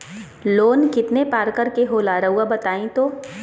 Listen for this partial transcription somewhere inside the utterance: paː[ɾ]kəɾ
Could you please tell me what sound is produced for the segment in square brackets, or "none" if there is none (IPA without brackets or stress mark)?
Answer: ɾ